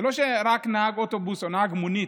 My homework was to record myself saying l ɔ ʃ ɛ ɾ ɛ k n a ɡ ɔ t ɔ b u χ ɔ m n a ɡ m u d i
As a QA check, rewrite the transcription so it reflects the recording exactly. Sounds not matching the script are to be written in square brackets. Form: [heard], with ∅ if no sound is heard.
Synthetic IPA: l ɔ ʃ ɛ ɾ [a] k n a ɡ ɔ t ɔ b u [s] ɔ [∅] n a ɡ m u [n] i